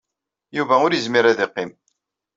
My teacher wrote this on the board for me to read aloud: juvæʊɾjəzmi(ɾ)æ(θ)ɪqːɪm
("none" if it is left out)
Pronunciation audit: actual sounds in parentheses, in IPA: ɾ, ð

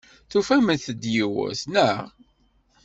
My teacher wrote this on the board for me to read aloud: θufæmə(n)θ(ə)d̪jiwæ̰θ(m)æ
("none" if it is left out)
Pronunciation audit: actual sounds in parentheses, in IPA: n, ə, n

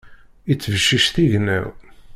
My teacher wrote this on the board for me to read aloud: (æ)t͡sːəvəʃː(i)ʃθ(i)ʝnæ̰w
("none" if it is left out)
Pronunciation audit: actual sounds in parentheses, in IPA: i, i, i

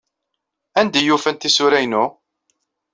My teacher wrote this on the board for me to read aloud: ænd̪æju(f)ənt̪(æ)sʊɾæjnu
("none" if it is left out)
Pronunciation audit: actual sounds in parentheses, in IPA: f, i

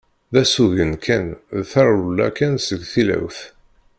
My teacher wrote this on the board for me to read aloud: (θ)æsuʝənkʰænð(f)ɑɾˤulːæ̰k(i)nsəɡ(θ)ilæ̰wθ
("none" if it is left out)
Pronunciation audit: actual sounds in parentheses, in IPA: ð, θ, æ, θ

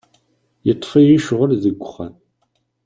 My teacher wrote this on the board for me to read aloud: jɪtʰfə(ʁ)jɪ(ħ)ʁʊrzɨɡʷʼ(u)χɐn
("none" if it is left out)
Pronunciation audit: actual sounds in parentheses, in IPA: none, ʃ, ʊ

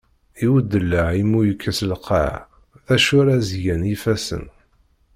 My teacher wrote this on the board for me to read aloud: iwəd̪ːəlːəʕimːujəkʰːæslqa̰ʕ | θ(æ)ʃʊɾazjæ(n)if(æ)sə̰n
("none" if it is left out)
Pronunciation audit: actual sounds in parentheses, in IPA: æ, n, æ

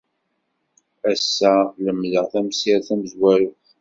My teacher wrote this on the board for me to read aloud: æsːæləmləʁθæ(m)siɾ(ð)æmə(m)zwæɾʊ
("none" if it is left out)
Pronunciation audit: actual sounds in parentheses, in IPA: m, θ, none

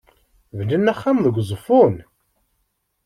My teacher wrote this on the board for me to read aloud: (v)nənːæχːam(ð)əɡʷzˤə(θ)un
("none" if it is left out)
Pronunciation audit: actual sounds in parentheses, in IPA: v, ð, f

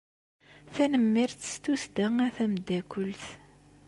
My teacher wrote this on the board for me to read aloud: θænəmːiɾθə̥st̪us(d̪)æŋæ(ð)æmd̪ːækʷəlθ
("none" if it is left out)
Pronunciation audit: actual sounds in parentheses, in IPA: d̪, θ

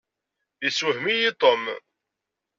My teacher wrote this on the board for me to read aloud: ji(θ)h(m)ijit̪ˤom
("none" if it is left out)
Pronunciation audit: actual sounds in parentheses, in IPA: s, m

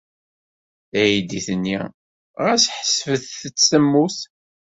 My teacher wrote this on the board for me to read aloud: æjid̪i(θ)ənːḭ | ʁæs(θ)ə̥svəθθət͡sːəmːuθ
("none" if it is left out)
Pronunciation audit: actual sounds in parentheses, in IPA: θ, ħ

